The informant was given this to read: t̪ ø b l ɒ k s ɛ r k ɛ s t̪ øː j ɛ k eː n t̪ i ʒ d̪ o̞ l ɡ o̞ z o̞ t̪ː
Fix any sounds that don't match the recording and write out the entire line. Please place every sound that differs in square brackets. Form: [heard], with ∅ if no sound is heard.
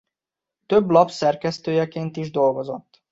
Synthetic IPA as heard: t̪ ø b l ɒ [p] s ɛ r k ɛ s t̪ øː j ɛ k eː n t̪ i ʒ d̪ o̞ l ɡ o̞ z o̞ t̪ː